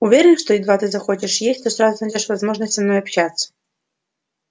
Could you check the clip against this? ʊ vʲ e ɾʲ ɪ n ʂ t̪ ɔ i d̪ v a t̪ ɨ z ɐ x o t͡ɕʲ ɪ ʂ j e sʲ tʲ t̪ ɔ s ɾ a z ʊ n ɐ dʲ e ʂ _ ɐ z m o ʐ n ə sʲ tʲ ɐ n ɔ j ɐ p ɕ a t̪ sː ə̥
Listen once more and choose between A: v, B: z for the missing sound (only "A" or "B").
A